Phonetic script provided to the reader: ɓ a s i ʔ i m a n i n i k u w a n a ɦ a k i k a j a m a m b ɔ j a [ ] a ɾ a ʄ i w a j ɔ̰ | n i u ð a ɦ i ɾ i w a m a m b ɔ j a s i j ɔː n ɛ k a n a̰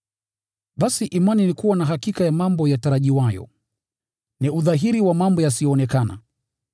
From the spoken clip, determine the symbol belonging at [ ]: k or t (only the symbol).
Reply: t